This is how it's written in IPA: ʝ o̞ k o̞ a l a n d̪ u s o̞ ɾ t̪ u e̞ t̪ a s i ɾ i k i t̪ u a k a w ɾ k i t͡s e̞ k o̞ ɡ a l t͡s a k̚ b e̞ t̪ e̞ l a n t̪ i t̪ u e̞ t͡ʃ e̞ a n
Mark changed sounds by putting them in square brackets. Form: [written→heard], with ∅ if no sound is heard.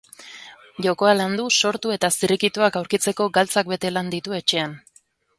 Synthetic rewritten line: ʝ o̞ k o̞ a l a n d̪ u s o̞ ɾ t̪ u e̞ t̪ a s i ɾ i k i t̪ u a k a w ɾ k i t͡s e̞ k o̞ ɡ a l t͡s a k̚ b e̞ t̪ e̞ l a n [t̪→d̪] i t̪ u e̞ t͡ʃ e̞ a n